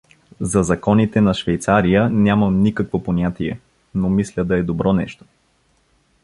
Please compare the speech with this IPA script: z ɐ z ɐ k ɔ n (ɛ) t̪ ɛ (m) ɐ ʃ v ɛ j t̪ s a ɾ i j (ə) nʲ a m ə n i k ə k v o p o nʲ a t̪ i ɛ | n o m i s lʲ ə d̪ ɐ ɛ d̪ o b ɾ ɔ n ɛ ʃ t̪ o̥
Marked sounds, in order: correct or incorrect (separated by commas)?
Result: incorrect, incorrect, correct